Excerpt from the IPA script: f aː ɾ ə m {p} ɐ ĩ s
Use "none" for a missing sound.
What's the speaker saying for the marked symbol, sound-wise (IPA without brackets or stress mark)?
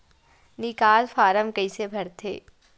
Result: k